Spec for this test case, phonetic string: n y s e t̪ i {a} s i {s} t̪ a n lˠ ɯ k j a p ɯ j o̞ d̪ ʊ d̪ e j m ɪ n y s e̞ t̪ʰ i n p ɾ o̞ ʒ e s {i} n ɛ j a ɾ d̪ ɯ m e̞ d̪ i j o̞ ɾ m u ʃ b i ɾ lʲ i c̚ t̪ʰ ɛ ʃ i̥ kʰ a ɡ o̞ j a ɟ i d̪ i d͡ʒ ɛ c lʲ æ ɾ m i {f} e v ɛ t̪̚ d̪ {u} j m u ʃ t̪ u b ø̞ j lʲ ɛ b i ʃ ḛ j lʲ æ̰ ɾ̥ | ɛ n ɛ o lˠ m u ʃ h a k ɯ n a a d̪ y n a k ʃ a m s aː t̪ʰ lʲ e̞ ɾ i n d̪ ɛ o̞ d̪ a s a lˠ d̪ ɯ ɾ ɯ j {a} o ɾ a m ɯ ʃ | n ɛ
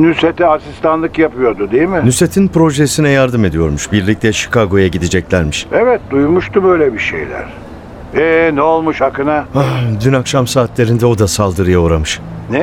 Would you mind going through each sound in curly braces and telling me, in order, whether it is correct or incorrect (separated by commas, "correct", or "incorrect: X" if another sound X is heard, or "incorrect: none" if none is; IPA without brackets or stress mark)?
correct, correct, correct, incorrect: ʃ, correct, correct